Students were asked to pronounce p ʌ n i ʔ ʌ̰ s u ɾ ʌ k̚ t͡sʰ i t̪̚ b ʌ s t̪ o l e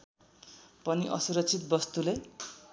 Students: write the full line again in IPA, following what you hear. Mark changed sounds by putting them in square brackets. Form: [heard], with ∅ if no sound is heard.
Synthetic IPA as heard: p ʌ n i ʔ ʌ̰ s u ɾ ʌ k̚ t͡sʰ i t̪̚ b ʌ s t̪ [u] l e